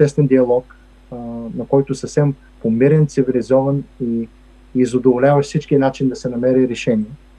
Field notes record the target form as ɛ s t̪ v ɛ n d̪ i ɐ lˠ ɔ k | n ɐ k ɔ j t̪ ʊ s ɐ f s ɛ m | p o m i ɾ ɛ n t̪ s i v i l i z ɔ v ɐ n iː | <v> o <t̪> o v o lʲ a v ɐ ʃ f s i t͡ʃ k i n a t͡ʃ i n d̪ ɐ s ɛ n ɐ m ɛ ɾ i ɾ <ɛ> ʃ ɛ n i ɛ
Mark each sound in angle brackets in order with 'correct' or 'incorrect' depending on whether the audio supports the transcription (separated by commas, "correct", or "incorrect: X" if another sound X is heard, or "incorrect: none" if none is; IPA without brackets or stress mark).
incorrect: z, incorrect: d̪, correct